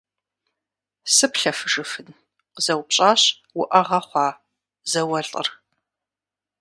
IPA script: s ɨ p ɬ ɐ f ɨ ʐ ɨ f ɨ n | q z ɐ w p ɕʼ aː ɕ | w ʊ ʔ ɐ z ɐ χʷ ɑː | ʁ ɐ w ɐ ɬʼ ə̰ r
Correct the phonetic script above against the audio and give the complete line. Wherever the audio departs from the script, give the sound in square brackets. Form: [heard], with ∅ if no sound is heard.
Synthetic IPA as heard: s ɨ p ɬ ɐ f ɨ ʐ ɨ f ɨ n | q z ɐ w p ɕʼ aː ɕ | w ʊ ʔ ɐ [ʁ] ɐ χʷ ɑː | [z] ɐ w ɐ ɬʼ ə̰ r